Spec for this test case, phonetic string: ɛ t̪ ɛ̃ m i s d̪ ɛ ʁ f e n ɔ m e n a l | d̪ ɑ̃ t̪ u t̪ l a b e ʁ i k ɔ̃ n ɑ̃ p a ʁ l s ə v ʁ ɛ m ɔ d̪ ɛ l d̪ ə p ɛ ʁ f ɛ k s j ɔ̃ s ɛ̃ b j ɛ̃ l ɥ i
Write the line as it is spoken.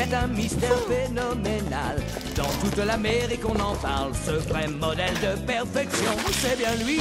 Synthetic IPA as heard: ɛ t̪ ɛ̃ m i s t̪ ɛ ʁ f e n ɔ m e n a l | d̪ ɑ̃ t̪ u t̪ l a m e ʁ i k ɔ̃ n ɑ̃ p a ʁ l s ə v ʁ ɛ m ɔ d̪ ɛ l d̪ ə p ɛ ʁ f ɛ k s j ɔ̃ s ɛ b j ɛ̃ l ɥ i